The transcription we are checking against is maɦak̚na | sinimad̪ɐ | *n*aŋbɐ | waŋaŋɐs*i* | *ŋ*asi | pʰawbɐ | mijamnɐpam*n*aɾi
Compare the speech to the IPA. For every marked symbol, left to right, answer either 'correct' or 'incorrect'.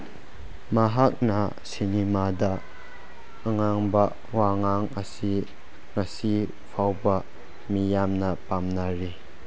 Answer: incorrect, correct, correct, correct

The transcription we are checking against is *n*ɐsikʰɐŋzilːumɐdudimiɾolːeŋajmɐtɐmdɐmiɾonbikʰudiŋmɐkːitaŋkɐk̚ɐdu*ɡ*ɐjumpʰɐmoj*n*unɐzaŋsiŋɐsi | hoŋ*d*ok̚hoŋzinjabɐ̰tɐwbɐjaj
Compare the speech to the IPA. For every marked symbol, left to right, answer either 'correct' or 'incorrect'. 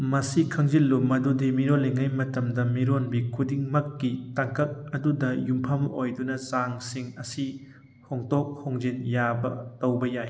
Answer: incorrect, incorrect, incorrect, incorrect

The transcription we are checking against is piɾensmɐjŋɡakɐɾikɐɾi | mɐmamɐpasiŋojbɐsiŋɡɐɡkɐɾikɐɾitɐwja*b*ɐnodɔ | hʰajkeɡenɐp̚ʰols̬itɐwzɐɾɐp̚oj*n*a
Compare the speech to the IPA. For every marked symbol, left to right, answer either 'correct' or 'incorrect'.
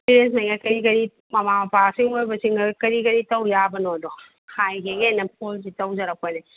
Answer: correct, correct

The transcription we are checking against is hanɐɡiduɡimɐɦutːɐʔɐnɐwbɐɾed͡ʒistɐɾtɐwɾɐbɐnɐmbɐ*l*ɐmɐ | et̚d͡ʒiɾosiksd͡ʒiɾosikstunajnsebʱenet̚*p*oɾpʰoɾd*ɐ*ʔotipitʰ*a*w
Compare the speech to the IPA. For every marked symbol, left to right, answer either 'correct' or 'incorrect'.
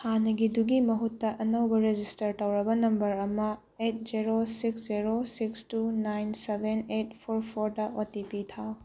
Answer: incorrect, incorrect, correct, correct

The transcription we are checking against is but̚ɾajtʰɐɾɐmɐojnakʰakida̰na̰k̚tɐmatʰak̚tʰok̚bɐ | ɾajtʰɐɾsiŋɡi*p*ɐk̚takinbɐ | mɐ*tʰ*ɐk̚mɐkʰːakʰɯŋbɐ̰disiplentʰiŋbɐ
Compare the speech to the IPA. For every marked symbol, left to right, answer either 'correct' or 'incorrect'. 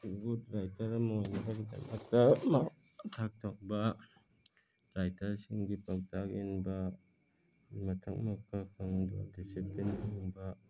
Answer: correct, correct

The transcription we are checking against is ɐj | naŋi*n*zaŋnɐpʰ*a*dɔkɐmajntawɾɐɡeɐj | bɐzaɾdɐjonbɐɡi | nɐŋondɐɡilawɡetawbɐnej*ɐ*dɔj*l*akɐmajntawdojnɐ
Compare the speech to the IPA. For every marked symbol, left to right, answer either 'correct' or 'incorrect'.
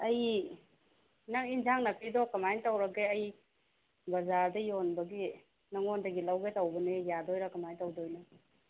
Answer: correct, incorrect, incorrect, incorrect

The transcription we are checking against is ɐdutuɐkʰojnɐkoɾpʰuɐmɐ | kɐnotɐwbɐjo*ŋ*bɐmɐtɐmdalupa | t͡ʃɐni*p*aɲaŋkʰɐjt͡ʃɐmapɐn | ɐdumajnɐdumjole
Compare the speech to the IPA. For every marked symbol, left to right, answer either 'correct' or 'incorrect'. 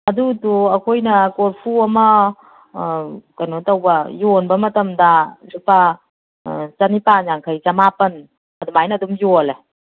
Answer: incorrect, correct

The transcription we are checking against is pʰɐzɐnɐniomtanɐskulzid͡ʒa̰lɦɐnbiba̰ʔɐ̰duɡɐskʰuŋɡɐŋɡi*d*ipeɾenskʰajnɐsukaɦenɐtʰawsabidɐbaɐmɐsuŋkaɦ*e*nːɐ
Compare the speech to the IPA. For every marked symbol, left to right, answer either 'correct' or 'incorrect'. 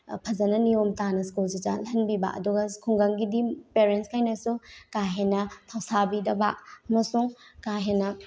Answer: correct, correct

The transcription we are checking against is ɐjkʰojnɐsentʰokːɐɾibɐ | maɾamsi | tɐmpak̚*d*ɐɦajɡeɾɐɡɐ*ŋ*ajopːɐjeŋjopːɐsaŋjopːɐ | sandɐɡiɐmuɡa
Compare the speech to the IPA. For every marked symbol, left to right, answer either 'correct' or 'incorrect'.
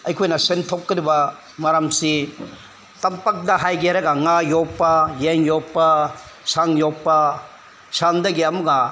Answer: correct, correct

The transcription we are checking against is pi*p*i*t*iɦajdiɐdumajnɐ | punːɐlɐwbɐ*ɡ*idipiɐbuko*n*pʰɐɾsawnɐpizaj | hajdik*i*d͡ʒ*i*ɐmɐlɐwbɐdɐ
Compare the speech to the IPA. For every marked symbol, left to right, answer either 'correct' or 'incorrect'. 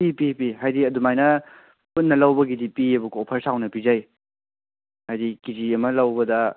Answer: correct, incorrect, correct, incorrect, correct, correct

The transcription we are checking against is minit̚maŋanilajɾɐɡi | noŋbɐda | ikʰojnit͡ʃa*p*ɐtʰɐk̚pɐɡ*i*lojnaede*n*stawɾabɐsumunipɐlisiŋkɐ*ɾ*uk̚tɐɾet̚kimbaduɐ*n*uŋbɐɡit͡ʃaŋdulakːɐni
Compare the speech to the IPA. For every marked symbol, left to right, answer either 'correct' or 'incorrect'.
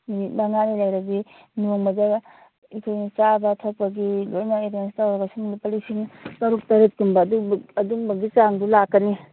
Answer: incorrect, correct, correct, correct, incorrect

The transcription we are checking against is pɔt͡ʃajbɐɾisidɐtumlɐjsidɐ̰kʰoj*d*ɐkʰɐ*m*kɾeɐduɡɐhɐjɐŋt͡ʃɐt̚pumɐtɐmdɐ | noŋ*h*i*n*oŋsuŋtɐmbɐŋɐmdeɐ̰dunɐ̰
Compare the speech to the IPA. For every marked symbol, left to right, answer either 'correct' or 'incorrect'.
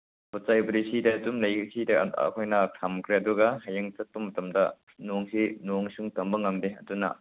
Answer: incorrect, correct, incorrect, correct

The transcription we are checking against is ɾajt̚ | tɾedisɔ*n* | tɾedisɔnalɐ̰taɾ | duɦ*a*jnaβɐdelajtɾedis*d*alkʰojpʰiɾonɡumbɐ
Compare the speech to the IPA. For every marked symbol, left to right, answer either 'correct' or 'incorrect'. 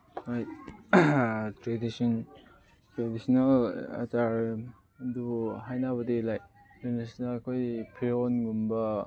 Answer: correct, correct, incorrect

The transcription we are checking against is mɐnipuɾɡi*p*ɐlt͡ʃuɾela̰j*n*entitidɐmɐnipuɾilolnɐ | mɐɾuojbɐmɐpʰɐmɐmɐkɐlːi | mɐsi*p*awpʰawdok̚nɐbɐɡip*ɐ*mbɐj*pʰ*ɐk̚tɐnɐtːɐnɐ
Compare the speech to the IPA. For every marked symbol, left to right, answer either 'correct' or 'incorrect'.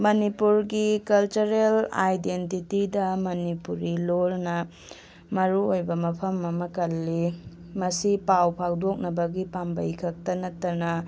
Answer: incorrect, incorrect, correct, incorrect, incorrect

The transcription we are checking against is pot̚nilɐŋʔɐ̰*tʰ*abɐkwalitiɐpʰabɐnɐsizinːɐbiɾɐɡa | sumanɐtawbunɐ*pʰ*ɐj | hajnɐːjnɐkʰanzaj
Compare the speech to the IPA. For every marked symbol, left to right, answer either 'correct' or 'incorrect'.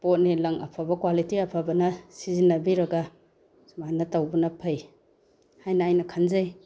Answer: incorrect, correct

